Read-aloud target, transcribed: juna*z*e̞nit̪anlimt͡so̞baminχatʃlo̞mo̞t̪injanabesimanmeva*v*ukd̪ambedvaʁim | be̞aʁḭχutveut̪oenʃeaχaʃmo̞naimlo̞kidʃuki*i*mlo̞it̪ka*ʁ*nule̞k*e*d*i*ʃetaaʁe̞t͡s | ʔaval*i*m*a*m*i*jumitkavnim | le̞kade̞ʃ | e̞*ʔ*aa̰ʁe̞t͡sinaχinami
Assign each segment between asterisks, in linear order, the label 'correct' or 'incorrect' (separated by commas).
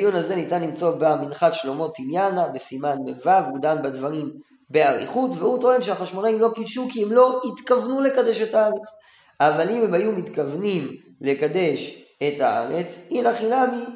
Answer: correct, correct, incorrect, incorrect, incorrect, incorrect, correct, incorrect, incorrect, incorrect